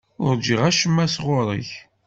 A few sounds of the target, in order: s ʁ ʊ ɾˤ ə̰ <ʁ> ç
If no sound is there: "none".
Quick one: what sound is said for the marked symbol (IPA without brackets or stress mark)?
none